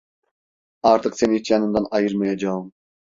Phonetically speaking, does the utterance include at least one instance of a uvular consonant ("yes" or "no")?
yes